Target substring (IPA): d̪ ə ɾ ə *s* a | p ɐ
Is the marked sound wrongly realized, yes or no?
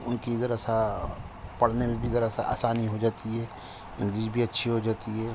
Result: no